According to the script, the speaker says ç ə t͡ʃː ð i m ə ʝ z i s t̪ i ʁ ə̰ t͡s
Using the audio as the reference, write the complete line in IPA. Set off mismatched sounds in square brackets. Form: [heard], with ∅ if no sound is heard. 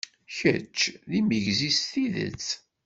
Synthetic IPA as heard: ç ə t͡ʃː ð i m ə ʝ z i s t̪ i [ð] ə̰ t͡s